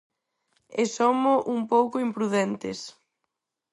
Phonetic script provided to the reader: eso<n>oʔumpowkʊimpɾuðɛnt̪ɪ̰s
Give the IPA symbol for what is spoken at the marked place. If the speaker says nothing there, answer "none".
m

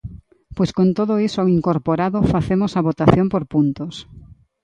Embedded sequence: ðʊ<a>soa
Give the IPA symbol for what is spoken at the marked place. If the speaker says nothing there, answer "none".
i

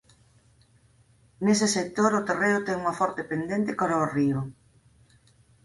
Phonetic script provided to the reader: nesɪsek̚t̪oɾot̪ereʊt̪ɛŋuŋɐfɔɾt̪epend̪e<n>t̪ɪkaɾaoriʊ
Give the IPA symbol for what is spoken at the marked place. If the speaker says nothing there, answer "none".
n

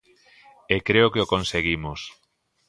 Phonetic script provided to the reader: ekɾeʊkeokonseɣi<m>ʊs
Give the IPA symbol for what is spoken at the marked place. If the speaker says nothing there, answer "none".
m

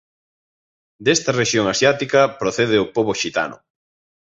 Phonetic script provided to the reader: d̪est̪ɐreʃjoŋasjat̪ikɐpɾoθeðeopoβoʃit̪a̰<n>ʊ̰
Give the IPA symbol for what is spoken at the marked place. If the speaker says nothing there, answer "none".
n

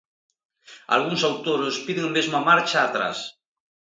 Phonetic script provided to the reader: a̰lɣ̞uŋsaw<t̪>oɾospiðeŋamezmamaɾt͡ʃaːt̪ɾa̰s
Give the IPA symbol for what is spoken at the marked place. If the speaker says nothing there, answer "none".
t̪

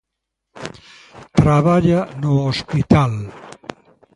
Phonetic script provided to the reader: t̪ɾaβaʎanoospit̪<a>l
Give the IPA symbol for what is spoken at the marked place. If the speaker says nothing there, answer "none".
a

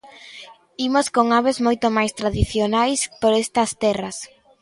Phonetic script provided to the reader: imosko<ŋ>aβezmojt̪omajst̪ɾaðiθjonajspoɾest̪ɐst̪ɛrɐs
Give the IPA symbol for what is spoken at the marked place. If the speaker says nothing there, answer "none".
ŋ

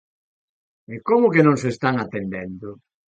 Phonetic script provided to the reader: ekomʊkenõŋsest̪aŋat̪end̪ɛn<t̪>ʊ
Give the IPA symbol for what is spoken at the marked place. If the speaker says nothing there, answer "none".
d̪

